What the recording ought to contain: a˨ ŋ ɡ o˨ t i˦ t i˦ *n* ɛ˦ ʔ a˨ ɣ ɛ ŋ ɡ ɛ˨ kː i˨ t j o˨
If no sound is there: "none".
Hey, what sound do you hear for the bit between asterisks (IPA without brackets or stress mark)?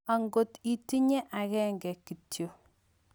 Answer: ɲ